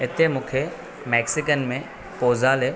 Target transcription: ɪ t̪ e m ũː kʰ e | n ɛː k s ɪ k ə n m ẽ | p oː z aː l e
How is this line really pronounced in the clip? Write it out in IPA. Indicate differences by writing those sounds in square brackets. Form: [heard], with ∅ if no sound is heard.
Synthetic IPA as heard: ɪ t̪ e m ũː kʰ e | [m] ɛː k s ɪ k ə n m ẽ | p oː z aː l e